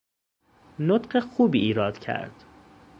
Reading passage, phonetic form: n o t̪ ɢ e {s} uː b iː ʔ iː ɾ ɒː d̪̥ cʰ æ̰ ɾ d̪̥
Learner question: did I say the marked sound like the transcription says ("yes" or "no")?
no